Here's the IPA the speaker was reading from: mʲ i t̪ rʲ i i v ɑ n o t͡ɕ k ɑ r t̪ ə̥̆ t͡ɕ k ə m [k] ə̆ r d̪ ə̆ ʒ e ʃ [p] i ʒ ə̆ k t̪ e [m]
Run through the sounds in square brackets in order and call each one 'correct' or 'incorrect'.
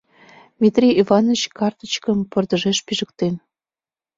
incorrect: p, correct, incorrect: n

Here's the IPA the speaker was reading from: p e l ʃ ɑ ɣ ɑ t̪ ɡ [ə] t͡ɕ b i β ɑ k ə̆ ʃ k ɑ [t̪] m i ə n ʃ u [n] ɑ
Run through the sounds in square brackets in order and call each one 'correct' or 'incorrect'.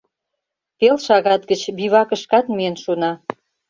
correct, correct, correct

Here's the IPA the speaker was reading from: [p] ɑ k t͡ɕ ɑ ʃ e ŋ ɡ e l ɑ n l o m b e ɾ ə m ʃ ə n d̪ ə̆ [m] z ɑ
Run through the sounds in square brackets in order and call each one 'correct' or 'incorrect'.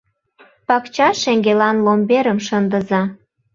correct, incorrect: none

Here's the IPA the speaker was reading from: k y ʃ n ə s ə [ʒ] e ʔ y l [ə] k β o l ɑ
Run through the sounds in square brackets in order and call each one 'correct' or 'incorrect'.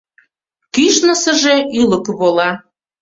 correct, correct

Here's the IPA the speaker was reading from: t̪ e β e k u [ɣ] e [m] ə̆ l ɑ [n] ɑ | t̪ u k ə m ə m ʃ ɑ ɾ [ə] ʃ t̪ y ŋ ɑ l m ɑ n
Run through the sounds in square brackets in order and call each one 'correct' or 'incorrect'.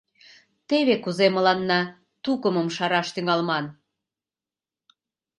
incorrect: z, correct, incorrect: nː, incorrect: ɑ

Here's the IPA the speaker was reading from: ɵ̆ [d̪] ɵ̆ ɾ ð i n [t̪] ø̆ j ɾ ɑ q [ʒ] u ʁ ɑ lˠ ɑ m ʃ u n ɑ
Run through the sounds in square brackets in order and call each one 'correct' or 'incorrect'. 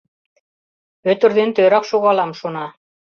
incorrect: t̪, correct, incorrect: ʃ

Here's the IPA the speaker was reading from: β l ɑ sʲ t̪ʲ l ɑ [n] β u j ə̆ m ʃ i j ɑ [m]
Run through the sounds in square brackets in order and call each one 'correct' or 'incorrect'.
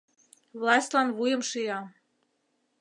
correct, incorrect: none

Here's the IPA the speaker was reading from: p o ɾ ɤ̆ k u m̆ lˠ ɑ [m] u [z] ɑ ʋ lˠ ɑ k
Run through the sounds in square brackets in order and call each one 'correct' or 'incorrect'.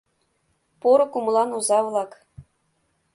incorrect: n, correct

